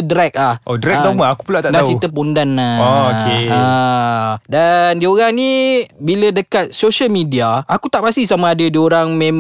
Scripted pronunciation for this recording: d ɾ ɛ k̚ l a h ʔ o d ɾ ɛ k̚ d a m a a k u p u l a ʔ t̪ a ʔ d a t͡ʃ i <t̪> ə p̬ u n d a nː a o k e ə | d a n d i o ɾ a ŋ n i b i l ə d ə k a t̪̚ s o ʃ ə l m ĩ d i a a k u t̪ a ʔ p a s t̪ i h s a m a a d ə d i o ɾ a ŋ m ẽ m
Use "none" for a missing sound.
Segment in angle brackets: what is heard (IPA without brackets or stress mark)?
t̪